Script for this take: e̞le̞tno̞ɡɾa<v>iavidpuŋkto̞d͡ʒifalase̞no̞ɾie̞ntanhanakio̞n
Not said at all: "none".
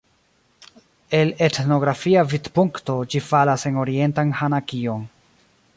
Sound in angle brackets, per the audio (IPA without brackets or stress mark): f